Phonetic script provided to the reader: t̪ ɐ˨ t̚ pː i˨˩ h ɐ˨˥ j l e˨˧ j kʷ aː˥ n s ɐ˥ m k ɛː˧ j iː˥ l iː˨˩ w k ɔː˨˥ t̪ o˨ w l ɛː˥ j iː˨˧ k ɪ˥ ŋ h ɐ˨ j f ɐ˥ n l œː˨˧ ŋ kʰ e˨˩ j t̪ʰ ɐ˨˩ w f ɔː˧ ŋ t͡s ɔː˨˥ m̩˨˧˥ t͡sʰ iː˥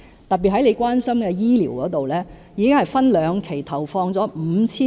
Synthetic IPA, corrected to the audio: t̪ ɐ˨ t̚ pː i˨˩ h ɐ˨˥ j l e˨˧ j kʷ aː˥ n s ɐ˥ m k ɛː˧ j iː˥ l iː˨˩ w k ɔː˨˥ t̪ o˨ w l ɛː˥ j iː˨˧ k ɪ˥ ŋ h ɐ˨ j f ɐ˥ n l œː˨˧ ŋ kʰ e˨˩ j t̪ʰ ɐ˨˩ w f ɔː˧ ŋ t͡s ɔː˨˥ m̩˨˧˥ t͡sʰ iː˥